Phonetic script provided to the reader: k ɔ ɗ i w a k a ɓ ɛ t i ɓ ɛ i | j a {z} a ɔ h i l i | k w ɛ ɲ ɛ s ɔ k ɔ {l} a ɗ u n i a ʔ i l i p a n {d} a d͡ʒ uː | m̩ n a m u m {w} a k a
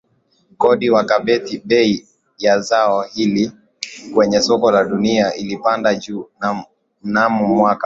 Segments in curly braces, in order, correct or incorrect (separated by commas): correct, correct, correct, correct